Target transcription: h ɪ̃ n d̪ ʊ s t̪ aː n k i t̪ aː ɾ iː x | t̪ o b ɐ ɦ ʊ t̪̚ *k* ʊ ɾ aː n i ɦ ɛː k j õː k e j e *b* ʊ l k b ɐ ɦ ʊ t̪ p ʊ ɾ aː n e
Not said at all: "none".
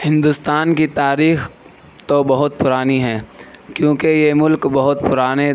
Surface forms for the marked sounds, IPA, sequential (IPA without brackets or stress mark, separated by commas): p, m